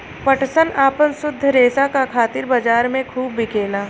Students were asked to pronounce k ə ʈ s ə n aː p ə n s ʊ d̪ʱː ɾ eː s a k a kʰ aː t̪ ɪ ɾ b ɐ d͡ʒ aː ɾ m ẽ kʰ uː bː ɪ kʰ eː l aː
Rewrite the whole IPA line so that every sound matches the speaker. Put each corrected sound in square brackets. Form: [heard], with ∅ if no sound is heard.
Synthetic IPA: [p] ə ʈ s ə n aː p ə n s ʊ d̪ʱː ɾ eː s a k a kʰ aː t̪ ɪ ɾ b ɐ d͡ʒ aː ɾ m ẽ kʰ uː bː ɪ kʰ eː l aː

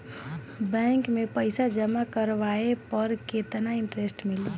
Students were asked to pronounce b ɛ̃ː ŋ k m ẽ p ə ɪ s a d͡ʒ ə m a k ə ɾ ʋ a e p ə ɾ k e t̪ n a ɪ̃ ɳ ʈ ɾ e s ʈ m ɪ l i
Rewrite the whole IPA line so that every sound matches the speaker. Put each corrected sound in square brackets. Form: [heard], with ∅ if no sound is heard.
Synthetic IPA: b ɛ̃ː ŋ k m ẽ p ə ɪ s a d͡ʒ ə m a k ə ɾ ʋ a e p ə ɾ k e t̪ n a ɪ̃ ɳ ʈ ɾ e s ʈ m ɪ l i

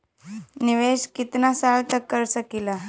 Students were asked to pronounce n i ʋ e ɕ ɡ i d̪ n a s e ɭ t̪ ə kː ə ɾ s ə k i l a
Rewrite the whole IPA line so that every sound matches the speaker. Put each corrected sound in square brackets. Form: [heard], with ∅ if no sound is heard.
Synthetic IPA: n i ʋ e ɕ [k] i [t̪] n a s [a] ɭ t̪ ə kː ə ɾ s ə k i l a

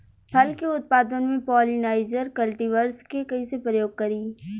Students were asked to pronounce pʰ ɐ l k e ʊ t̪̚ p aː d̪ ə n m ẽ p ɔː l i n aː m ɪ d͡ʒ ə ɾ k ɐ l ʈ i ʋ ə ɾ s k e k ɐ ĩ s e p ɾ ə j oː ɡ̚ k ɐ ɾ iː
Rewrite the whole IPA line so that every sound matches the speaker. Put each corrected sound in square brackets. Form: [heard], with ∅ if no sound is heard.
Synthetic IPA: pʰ ɐ l k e ʊ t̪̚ p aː d̪ ə n m ẽ p ɔː l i n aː [∅] ɪ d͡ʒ ə ɾ k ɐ l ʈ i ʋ ə ɾ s k e k ɐ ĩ s e p ɾ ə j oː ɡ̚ k ɐ ɾ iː

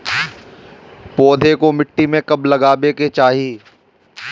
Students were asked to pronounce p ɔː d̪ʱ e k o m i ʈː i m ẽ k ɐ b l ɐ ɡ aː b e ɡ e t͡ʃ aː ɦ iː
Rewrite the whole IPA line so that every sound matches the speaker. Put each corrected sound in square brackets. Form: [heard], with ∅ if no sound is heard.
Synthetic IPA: p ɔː d̪ʱ e k o m [ɪ] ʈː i m ẽ k ɐ b l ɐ ɡ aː b e [k] e t͡ʃ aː ɦ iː

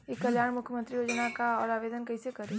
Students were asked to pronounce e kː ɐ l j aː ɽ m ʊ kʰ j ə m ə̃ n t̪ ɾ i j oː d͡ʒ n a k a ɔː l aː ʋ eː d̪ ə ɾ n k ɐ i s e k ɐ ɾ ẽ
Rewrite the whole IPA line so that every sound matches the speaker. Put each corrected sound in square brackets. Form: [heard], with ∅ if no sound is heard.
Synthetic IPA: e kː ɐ l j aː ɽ m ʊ kʰ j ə m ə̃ n t̪ ɾ i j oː d͡ʒ n a k a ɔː [ɾ] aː ʋ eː d̪ ə [∅] n k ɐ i s e k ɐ ɾ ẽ

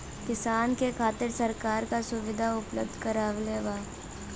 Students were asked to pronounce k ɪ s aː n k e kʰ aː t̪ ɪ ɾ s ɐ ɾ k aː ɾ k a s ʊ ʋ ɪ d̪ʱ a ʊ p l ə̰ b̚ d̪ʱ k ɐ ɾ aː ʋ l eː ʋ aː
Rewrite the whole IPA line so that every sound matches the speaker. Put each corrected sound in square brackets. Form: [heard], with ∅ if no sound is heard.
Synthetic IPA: k ɪ s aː n k e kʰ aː t̪ ɪ ɾ s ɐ ɾ k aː ɾ k a s ʊ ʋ ɪ d̪ʱ a ʊ p l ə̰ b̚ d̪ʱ k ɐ ɾ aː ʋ l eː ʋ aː

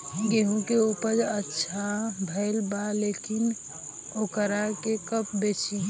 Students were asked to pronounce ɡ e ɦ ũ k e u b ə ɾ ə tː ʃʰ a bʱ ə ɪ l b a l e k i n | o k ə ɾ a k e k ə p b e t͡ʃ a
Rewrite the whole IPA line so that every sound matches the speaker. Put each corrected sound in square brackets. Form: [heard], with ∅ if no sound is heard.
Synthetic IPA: ɡ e ɦ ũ k e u [p] ə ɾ ə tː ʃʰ a bʱ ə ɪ l b a l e k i n | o k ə ɾ a k e k ə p b e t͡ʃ [i]

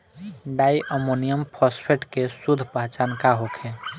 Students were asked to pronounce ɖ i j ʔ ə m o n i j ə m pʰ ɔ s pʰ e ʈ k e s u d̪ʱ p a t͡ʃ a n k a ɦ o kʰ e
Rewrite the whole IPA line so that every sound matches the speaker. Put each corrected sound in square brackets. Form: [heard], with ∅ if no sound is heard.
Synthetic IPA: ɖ [a] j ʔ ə m o n i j ə m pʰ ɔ s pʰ e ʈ k e s u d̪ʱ p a t͡ʃ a n k a ɦ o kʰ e

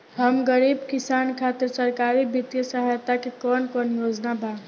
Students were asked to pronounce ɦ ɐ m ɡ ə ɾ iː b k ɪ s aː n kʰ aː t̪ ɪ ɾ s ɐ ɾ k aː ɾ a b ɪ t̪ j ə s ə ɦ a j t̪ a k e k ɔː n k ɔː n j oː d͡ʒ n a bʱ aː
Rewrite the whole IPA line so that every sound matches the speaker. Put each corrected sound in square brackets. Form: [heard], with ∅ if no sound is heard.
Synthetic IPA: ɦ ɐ m ɡ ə ɾ iː b k ɪ s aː n kʰ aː t̪ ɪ ɾ s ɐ ɾ k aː ɾ [i] b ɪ t̪ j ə s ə ɦ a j t̪ a k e k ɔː n k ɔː n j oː d͡ʒ n a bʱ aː

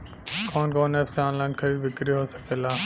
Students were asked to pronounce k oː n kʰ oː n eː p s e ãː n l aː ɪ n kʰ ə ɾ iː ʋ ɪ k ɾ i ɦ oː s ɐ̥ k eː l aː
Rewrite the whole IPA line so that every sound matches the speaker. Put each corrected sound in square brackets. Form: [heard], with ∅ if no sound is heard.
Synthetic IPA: k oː n [k] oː n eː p s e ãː n l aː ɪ n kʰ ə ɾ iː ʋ ɪ k ɾ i ɦ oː s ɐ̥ k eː l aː

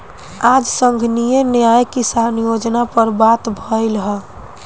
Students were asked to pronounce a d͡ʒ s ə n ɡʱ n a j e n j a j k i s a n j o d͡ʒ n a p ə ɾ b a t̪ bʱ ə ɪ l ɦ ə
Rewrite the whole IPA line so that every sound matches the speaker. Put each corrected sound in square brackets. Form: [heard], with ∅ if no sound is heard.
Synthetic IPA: a d͡ʒ s ə [ŋ] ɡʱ n [i] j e n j a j k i s a n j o d͡ʒ n a p ə ɾ b a t̪ bʱ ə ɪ l ɦ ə

